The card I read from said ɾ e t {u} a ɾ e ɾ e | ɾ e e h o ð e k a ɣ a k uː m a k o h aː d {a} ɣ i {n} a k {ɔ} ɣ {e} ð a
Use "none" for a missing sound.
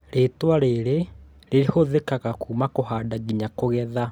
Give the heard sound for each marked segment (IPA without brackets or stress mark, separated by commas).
w, a, ɲ, o, ɛ